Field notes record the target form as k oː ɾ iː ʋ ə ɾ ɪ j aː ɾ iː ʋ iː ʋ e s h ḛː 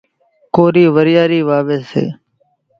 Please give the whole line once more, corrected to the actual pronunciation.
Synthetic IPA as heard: k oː ɾ iː ʋ ə ɾ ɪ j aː ɾ iː ʋ aː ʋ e s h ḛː